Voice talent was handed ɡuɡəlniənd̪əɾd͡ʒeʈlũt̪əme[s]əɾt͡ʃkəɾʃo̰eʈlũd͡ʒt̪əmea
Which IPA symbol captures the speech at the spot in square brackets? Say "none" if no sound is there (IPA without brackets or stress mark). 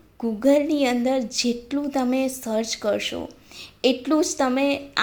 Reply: s